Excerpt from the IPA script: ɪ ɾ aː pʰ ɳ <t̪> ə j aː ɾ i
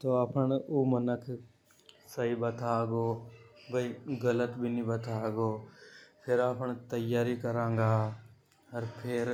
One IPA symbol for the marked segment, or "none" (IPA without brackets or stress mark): t̪